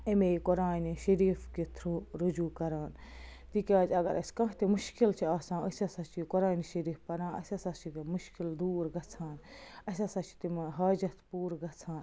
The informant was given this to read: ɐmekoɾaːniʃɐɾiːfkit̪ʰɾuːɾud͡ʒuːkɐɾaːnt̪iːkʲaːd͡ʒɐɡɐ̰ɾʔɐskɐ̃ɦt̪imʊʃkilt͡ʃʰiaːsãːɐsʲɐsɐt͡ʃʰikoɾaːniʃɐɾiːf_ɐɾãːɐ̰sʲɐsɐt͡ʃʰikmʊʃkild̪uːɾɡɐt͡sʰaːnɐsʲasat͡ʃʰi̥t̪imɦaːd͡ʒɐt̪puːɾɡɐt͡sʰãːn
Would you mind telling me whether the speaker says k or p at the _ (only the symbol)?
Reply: p